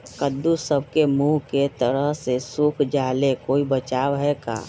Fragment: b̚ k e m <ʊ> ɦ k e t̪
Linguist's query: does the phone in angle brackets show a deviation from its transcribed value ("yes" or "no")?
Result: yes